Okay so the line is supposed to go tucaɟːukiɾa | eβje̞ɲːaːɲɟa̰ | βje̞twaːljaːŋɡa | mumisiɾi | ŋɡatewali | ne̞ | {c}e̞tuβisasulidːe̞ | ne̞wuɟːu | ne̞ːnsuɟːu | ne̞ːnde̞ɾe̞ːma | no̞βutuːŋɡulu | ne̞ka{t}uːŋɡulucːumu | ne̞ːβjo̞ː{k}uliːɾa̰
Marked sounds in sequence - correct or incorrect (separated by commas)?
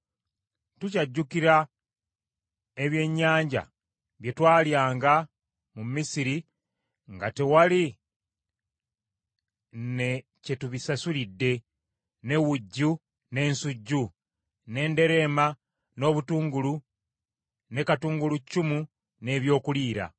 correct, correct, correct